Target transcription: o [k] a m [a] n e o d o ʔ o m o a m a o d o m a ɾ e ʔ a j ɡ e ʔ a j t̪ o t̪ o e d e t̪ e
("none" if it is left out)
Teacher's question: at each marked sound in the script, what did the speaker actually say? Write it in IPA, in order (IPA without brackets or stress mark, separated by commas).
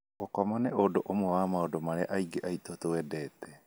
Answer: k, a